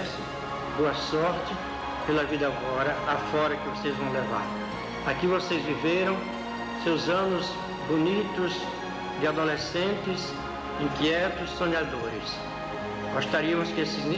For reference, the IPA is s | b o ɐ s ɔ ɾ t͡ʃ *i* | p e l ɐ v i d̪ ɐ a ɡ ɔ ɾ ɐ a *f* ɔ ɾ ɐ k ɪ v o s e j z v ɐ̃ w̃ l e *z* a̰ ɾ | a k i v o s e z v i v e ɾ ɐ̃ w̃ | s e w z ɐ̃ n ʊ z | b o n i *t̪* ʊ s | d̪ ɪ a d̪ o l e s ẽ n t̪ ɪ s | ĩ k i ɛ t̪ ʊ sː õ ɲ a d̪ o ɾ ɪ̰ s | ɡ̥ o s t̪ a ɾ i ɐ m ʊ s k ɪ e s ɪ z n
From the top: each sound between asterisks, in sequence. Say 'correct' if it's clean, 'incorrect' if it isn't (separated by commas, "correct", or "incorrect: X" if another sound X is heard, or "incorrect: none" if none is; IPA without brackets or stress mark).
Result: incorrect: ɪ, correct, incorrect: v, correct